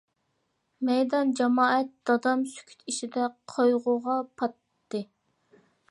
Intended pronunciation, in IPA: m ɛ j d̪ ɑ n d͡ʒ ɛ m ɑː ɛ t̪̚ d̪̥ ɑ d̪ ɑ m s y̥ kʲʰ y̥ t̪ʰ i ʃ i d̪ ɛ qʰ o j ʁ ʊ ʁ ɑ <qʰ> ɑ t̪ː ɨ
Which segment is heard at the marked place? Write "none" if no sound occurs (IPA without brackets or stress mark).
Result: pʰ